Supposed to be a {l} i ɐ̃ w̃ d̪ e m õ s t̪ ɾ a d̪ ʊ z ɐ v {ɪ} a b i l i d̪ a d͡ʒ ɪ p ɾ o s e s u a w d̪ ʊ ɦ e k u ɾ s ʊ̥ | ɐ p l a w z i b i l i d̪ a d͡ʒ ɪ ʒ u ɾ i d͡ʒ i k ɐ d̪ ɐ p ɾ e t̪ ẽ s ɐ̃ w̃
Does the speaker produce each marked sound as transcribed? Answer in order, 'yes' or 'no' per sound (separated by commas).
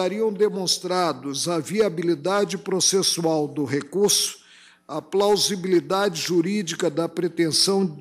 no, no